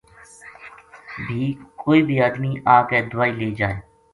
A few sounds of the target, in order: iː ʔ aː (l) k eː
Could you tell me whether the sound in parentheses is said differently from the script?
yes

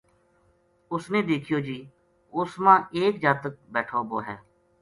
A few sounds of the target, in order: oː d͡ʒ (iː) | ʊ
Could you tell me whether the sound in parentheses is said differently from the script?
no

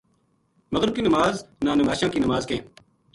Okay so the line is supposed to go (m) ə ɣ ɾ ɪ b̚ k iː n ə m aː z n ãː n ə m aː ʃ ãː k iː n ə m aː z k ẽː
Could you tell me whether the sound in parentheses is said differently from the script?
no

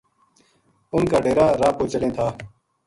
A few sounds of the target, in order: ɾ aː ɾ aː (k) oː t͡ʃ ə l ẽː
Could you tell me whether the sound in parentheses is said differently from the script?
yes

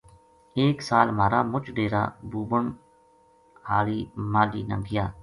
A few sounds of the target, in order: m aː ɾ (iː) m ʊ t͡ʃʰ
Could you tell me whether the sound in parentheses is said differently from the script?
yes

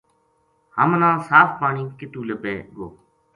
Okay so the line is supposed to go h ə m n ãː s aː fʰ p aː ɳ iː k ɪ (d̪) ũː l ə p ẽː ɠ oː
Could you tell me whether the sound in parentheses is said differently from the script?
yes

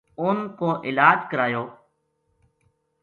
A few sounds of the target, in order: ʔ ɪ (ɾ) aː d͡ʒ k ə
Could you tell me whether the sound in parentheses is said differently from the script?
yes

